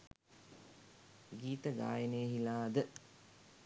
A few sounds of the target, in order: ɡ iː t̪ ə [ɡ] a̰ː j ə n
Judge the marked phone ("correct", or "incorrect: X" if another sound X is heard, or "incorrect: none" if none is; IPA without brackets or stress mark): correct